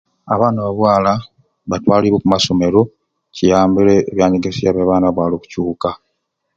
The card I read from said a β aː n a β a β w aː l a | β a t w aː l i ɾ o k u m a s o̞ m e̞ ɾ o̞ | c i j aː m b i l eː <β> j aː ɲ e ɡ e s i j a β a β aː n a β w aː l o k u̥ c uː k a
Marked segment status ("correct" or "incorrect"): correct